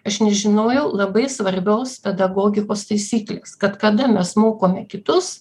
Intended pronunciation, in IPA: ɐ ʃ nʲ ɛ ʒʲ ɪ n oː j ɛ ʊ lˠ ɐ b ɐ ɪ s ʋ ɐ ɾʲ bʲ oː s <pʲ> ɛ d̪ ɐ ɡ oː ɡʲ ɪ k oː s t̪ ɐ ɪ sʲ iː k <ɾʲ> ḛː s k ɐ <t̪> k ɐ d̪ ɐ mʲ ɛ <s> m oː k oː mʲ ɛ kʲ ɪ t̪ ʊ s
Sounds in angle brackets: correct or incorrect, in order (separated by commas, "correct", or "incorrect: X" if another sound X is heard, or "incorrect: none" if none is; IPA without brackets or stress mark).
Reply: correct, incorrect: lʲ, correct, correct